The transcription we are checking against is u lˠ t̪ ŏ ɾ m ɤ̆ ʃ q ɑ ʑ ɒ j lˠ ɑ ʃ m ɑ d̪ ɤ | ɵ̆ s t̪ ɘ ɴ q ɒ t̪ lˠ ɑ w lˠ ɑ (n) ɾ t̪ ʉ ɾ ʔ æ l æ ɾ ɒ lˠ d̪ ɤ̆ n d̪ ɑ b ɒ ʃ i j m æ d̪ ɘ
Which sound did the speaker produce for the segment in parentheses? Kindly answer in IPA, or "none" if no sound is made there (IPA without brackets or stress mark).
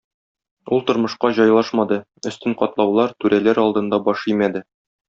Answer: none